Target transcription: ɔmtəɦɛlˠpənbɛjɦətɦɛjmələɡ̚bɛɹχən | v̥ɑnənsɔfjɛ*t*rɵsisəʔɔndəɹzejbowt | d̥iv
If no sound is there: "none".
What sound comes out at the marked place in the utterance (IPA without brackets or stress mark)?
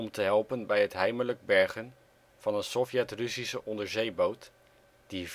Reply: t